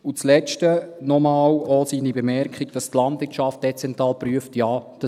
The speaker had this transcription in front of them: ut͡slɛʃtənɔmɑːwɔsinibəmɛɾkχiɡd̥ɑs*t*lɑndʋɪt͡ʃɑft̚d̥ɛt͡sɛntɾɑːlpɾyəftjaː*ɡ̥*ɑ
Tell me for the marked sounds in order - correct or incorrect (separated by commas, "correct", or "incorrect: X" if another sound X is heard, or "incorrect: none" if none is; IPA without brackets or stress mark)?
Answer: correct, incorrect: d̥